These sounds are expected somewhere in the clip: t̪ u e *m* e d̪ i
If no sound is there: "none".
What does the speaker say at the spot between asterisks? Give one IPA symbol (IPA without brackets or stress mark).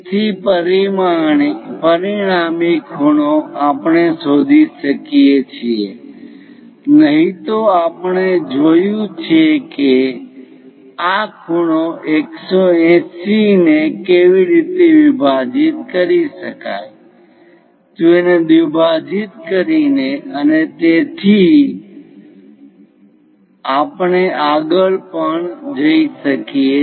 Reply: n